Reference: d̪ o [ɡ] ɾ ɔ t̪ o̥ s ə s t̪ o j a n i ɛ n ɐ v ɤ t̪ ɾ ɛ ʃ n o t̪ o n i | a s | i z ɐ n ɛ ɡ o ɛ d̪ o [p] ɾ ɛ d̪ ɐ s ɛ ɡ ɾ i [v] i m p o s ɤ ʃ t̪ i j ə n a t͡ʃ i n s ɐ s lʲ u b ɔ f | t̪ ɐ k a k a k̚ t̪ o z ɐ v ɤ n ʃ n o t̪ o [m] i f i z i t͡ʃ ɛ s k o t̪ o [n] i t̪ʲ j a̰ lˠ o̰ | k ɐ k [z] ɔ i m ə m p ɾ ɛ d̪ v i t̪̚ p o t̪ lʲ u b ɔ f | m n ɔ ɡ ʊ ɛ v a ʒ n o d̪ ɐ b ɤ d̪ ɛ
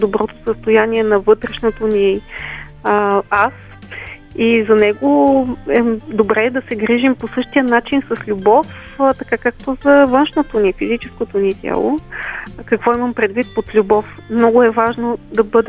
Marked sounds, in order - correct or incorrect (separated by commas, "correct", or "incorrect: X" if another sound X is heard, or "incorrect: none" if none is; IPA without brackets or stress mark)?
incorrect: b, incorrect: b, incorrect: ʒ, incorrect: n, correct, incorrect: v